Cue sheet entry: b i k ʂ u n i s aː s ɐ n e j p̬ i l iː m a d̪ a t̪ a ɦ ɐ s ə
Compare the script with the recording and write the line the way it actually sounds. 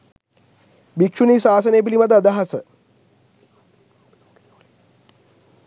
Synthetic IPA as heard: b i k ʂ u n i s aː s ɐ n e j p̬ i l i m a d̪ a d̪ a ɦ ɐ s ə